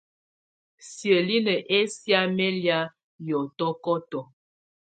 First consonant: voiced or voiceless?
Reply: voiceless